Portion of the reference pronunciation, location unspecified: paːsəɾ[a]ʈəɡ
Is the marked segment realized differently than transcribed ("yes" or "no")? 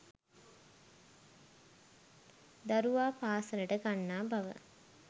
yes